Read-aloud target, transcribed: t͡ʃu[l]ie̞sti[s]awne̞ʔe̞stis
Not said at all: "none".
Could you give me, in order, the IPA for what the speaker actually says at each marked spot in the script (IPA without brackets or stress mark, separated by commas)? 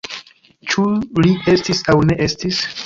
l, s